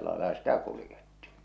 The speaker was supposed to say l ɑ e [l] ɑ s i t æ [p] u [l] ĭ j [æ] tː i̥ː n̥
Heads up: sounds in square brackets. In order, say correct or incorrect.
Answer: correct, incorrect, correct, incorrect

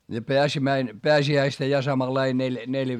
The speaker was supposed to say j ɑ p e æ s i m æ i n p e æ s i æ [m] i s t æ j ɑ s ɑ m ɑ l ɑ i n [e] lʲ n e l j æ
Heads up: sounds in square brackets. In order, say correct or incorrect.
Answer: incorrect, correct

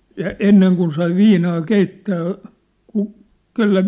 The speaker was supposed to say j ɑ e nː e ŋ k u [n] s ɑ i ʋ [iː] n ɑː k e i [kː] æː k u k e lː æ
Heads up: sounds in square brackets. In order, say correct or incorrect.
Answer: correct, correct, incorrect

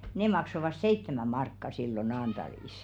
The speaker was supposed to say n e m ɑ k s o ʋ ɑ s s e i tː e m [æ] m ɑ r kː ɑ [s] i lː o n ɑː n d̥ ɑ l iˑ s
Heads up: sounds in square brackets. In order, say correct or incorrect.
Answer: correct, correct

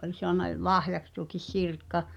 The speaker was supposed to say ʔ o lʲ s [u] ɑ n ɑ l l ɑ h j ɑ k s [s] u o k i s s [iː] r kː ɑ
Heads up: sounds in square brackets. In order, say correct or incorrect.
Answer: incorrect, incorrect, incorrect

